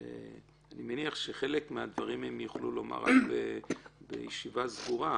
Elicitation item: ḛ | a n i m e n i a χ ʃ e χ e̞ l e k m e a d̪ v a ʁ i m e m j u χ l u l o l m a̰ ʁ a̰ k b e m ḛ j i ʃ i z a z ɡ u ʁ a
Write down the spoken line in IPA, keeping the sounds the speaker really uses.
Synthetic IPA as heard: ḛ | a n i m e n i a χ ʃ e χ e̞ l e k m e a d̪ v a ʁ i m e m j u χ l u l o m a̰ ʁ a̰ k b e b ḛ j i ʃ i v a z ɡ u ʁ a